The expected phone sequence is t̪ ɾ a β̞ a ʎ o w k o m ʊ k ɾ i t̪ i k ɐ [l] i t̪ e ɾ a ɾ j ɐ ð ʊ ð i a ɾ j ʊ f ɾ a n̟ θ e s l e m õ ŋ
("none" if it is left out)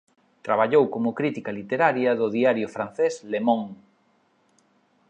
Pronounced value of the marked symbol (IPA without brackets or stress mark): l